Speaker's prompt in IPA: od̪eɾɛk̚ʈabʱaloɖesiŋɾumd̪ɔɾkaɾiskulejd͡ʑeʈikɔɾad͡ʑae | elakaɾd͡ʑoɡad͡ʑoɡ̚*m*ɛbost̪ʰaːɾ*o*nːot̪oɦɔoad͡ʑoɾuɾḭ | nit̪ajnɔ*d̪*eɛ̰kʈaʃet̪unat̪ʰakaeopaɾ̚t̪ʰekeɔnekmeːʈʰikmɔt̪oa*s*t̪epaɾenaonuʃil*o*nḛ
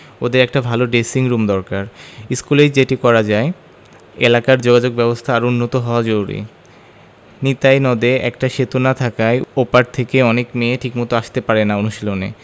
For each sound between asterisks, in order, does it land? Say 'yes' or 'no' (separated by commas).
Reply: no, no, yes, no, yes